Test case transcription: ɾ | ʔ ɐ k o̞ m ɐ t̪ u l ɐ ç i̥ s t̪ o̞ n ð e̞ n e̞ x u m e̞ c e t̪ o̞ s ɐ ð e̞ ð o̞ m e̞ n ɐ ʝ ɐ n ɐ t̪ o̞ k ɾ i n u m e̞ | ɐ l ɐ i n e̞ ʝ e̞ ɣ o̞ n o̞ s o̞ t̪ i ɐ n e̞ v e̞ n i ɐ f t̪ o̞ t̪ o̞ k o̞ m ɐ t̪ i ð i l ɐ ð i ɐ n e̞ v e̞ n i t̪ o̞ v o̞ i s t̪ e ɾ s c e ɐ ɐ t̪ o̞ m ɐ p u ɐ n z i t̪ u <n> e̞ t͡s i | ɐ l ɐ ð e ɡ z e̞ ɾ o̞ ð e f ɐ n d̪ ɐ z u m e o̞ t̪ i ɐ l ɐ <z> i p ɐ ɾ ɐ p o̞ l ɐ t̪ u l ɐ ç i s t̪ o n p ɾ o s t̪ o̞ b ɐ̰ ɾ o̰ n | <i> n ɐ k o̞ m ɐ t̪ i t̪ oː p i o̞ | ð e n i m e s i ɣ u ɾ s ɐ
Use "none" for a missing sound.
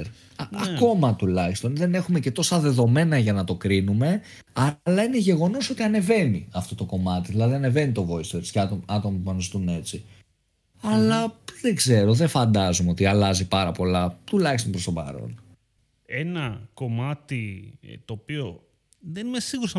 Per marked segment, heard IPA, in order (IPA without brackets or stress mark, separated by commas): n, z, e